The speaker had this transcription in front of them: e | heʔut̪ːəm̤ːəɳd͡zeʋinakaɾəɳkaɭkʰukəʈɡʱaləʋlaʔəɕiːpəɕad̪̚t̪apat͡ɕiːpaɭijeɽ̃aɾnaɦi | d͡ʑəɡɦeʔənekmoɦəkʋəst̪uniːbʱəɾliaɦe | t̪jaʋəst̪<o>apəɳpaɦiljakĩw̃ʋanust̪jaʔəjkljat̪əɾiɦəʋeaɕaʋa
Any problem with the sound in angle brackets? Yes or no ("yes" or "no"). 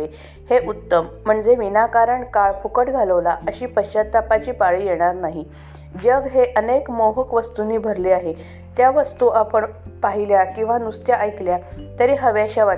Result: yes